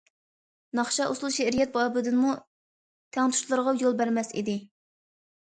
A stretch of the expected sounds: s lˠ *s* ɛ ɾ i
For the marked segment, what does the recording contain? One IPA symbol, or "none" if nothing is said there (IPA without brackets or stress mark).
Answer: ʃ